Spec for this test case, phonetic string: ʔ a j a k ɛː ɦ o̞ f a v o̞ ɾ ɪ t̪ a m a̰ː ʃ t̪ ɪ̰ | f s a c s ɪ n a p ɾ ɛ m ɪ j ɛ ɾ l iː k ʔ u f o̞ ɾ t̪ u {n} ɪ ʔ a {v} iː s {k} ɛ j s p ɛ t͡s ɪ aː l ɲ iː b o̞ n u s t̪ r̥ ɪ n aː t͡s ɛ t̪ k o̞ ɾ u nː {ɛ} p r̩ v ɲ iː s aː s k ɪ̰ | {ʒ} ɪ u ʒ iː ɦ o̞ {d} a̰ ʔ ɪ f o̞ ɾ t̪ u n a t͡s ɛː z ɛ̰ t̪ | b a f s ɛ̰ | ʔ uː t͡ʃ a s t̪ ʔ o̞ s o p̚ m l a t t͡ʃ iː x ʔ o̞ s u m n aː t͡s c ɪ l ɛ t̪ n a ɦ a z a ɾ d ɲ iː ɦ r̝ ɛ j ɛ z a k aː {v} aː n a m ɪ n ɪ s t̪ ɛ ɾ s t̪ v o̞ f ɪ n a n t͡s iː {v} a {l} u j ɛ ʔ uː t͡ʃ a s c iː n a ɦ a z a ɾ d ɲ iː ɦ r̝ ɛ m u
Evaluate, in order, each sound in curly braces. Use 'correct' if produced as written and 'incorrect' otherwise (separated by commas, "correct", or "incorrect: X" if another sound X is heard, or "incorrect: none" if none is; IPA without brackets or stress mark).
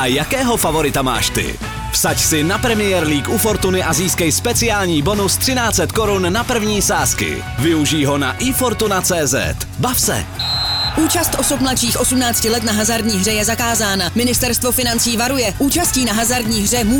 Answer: correct, incorrect: z, correct, incorrect: a, incorrect: v, incorrect: n, incorrect: z, correct, incorrect: ɾ